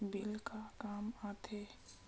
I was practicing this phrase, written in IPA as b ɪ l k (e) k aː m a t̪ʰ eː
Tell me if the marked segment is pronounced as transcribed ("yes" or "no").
no